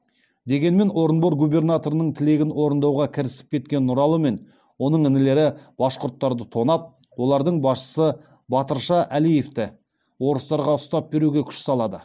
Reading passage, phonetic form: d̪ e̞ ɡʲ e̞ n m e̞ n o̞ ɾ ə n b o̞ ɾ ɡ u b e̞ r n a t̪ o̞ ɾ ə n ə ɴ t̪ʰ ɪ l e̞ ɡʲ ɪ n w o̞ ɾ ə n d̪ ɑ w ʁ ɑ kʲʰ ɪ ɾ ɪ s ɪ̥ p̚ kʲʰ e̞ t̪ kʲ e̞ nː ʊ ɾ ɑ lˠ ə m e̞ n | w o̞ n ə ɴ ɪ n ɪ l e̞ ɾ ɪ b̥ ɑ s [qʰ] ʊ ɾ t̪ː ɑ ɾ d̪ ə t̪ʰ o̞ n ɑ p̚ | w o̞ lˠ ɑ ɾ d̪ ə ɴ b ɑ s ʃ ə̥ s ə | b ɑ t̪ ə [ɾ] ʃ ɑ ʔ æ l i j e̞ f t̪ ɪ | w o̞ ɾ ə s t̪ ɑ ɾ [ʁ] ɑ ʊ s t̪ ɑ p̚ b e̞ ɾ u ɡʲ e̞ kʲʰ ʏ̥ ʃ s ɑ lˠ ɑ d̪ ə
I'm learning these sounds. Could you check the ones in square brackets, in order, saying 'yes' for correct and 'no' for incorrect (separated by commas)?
no, yes, yes